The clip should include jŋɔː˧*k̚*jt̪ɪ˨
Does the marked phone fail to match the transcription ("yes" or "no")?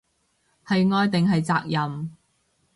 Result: yes